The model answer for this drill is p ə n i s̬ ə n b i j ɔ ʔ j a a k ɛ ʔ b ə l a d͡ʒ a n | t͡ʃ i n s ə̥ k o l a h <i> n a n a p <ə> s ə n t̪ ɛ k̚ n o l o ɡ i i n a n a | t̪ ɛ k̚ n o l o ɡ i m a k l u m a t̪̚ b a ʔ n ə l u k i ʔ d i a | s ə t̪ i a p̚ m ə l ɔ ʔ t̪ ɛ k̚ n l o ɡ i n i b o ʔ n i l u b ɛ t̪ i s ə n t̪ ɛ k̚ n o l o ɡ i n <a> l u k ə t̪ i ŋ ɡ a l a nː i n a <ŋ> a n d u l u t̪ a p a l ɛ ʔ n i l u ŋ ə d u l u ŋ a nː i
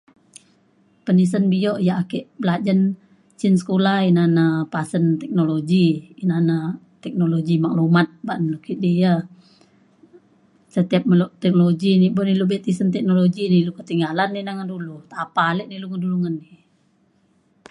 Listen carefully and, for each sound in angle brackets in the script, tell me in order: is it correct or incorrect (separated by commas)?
correct, incorrect, incorrect, correct